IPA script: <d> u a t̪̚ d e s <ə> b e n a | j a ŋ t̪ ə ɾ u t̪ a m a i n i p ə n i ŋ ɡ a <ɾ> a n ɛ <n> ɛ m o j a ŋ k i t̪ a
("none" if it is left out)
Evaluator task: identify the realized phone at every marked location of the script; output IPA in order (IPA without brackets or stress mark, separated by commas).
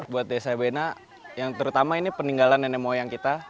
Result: b, a, l, n